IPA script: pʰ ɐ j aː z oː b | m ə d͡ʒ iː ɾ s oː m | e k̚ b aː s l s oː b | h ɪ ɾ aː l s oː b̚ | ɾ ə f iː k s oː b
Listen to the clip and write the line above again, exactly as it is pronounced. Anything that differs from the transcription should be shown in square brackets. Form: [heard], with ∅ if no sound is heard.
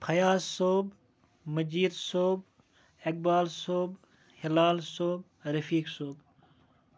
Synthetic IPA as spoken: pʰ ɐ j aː [s] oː b | m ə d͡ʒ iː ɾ s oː [b] | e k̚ b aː [∅] l s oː b | h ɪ [l] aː l s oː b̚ | ɾ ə f iː k s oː b

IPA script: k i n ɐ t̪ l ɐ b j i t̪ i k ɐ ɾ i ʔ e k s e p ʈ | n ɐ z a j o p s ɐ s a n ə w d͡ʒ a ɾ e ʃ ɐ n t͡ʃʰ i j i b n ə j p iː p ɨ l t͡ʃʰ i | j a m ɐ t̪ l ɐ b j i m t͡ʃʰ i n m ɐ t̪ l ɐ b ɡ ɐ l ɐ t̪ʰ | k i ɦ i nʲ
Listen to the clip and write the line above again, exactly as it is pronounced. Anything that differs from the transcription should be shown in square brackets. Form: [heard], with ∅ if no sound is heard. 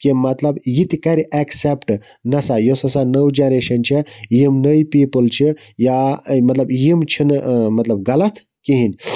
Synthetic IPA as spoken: k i [m] ɐ t̪ l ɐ b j i t̪ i k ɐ ɾ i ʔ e k s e p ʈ | n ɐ [s] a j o [∅] s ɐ s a n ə w d͡ʒ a ɾ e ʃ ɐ n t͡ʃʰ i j i [m] n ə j p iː p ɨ l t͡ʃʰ i | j a m ɐ t̪ l ɐ b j i m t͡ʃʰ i n m ɐ t̪ l ɐ b ɡ ɐ l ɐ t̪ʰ | k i ɦ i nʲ

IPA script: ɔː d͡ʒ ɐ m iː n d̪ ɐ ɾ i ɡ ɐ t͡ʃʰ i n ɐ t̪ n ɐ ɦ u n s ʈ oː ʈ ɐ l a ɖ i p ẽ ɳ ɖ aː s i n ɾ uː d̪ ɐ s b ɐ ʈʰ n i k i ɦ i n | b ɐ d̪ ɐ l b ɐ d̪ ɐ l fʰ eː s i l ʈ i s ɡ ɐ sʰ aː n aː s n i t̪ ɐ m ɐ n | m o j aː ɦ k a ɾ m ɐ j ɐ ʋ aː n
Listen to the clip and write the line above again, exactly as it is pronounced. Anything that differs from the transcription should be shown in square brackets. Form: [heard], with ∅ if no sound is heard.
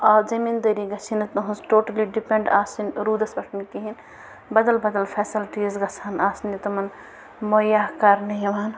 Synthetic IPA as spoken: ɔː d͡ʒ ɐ m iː n d̪ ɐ ɾ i ɡ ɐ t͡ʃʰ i n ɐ t̪ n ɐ ɦ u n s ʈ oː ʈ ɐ l [i] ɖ i p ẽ ɳ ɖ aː s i n ɾ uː d̪ ɐ s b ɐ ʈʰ n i k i ɦ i n | b ɐ d̪ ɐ l b ɐ d̪ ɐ l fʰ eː s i l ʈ i [z] ɡ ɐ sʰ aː n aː s n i t̪ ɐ m ɐ n | m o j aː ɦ k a ɾ [n] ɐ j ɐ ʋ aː n

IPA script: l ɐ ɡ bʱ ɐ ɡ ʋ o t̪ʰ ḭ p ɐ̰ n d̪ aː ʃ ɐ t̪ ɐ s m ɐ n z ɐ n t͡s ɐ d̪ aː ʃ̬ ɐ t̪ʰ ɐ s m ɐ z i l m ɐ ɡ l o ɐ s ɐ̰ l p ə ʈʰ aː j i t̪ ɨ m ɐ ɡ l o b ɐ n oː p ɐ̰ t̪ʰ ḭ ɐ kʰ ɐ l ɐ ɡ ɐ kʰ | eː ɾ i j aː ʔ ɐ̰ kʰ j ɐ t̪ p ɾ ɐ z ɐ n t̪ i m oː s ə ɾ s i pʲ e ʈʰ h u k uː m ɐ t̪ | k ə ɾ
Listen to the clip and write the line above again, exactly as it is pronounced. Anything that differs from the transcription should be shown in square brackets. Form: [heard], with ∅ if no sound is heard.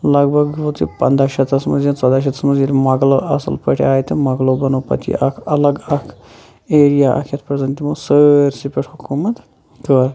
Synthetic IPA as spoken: l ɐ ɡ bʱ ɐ ɡ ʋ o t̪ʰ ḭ p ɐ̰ n d̪ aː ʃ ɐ t̪ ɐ s m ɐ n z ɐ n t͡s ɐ d̪ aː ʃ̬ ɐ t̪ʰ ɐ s m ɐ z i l m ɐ ɡ l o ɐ s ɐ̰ l p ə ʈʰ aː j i t̪ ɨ m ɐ ɡ l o b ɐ n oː p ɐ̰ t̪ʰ ḭ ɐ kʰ ɐ l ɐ ɡ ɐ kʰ | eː ɾ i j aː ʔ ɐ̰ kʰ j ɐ t̪ p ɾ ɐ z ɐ n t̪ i m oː s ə ɾ s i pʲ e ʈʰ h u k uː m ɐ t̪ | k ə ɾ

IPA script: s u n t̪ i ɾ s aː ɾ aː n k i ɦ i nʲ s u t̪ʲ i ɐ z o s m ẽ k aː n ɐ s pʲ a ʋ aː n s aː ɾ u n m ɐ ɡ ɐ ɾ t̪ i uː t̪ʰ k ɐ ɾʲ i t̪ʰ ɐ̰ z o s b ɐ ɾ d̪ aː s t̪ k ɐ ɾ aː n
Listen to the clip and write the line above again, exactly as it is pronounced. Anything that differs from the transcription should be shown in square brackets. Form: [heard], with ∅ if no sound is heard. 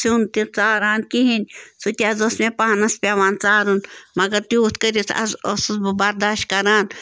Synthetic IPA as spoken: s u n t̪ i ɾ [t͡s] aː ɾ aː n k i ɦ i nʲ s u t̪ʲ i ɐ z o s m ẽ [p] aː n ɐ s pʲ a ʋ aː n [t͡s] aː ɾ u n m ɐ ɡ ɐ ɾ t̪ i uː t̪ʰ k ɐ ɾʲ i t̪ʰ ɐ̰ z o s b ɐ ɾ d̪ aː [ʃ] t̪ k ɐ ɾ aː n

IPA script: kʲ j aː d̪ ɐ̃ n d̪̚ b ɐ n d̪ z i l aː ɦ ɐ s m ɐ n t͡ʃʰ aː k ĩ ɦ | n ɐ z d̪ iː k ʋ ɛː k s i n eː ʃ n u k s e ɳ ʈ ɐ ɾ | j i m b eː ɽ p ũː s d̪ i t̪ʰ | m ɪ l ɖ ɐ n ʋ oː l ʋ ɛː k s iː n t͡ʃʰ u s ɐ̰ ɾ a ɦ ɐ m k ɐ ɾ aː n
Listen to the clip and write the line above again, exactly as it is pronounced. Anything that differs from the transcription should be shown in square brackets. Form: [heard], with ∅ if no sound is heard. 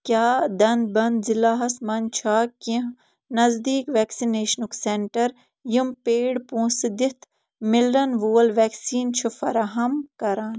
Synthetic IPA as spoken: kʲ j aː d̪ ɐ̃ n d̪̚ b ɐ n d̪ z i l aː ɦ ɐ s m ɐ n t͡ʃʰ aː k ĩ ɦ | n ɐ z d̪ iː k ʋ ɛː k s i n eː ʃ n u k s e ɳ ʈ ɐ ɾ | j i m [p] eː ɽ p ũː s d̪ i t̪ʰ | m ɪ l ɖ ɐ n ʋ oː l ʋ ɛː k s iː n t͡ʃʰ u [f] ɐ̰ ɾ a ɦ ɐ m k ɐ ɾ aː n

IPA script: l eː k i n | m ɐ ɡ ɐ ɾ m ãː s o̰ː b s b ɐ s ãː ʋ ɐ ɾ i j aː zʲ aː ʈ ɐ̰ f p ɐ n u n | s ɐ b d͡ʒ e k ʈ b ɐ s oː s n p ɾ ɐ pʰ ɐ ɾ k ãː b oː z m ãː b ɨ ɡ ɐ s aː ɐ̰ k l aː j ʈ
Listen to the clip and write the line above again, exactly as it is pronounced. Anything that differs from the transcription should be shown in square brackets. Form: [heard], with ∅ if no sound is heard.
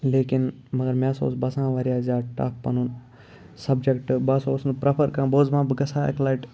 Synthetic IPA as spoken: l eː k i n | m ɐ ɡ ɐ ɾ m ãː s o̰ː [∅] s b ɐ s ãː ʋ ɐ ɾ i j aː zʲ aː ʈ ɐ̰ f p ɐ n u n | s ɐ b d͡ʒ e k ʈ b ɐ s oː s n p ɾ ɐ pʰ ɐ ɾ k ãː b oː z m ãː b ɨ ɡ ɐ s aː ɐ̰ k l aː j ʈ

